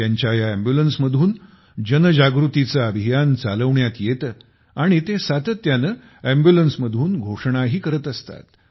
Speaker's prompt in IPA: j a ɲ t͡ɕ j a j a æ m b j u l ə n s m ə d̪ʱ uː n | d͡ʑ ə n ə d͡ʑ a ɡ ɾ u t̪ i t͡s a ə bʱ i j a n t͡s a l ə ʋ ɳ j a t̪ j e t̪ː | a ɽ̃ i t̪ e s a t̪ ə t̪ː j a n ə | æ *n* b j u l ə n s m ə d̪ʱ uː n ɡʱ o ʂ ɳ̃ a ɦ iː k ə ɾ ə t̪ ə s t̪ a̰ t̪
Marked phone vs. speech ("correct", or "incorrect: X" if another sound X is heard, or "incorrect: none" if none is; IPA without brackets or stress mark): incorrect: m